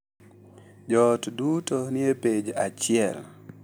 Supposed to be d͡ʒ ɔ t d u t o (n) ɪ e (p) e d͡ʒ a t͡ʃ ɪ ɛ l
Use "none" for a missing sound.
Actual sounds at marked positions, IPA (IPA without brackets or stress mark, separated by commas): n, p